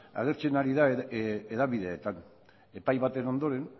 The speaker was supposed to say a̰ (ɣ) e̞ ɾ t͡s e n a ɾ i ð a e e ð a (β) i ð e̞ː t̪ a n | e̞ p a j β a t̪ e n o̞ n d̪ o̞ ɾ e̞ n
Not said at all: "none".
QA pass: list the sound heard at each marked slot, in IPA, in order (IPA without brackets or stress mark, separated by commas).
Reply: ɣ, β